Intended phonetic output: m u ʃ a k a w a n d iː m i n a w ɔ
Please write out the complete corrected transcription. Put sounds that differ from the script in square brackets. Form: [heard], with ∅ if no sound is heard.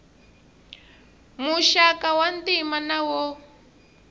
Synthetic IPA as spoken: m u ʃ a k a w a n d [i] m [a] n a w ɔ